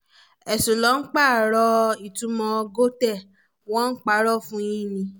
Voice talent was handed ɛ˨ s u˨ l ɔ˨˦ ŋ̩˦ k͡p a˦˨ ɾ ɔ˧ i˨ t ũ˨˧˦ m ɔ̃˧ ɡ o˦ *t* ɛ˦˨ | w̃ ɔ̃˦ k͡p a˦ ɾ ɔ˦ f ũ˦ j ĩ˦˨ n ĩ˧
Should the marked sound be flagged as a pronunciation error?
no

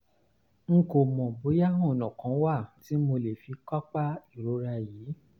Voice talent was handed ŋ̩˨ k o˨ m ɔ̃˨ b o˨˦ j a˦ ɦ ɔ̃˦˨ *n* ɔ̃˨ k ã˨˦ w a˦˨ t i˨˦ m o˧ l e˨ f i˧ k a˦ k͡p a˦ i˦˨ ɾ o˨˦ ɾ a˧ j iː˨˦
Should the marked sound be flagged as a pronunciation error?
no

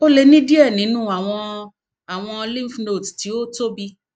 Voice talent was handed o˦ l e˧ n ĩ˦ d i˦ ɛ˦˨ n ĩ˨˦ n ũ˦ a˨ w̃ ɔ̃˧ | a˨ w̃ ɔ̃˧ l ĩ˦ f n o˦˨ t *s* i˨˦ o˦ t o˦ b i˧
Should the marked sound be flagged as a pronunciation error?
yes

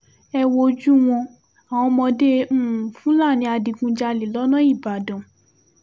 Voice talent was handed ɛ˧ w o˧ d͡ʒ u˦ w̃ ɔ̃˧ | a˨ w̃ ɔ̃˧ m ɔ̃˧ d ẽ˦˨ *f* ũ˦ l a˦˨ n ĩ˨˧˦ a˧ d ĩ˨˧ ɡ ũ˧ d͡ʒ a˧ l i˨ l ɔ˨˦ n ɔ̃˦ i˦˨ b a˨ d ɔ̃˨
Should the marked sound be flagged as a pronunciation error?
no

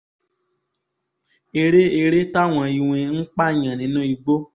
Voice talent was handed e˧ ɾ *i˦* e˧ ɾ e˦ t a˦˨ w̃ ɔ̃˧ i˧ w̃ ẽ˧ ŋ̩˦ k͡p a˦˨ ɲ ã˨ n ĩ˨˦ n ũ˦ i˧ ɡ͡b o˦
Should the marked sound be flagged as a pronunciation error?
yes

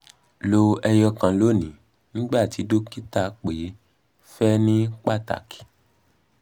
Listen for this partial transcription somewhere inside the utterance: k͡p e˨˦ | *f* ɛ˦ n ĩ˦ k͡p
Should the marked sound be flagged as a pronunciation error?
no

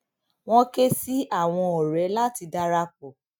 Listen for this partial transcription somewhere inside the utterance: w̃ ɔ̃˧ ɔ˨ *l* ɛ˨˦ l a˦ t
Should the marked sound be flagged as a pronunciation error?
yes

